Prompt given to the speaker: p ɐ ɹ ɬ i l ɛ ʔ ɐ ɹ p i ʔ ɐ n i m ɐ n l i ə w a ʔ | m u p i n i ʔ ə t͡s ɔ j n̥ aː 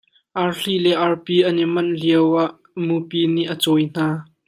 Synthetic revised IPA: ʔ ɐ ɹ ɬ i l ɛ ʔ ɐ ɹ p i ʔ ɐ n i m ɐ n l i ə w a ʔ | m u p i n i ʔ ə t͡s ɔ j n̥ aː